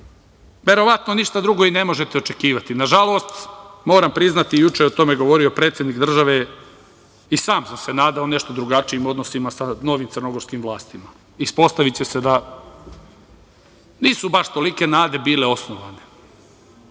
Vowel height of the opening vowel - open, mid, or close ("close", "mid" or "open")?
mid